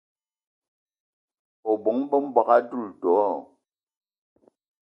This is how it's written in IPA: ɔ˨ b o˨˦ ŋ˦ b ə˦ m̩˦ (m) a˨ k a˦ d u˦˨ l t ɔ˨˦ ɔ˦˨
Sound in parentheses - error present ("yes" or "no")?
yes